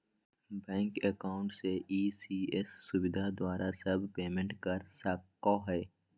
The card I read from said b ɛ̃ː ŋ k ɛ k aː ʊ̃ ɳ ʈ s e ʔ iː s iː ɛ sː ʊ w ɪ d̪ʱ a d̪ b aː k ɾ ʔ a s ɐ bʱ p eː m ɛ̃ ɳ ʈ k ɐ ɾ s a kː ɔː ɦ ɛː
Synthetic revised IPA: b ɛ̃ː ŋ k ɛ k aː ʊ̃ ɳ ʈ s e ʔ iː s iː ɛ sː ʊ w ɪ d̪ʱ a d̪ w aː ɾ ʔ a s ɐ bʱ p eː m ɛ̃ ɳ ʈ k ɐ ɾ s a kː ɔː ɦ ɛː